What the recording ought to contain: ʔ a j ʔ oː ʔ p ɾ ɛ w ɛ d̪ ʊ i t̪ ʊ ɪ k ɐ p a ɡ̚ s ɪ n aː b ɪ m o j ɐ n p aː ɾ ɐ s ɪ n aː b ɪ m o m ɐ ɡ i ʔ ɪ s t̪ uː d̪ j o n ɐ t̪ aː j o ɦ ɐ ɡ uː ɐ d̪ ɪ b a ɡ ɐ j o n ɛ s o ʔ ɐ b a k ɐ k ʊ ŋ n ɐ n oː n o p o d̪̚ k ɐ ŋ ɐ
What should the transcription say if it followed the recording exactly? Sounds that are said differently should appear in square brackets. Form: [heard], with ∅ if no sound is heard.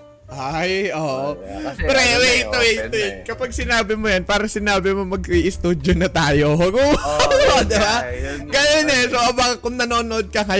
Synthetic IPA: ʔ a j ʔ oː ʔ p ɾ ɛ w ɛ [t̪] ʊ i t̪ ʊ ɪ k ɐ p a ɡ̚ s ɪ n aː b ɪ m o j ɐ n p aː ɾ ɐ s ɪ n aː b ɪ m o m ɐ ɡ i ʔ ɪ s t̪ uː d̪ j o n ɐ t̪ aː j o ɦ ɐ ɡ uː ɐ d̪ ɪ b a ɡ ɐ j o n ɛ s o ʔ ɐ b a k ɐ k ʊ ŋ n ɐ n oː n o [ʔ] o d̪̚ k ɐ ŋ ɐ